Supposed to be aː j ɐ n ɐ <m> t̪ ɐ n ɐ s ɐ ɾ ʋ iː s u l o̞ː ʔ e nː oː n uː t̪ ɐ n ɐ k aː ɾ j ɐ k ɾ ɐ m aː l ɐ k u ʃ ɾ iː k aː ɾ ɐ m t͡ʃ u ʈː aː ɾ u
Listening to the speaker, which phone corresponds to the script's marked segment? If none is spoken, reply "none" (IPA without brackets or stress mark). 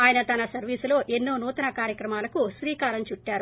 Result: none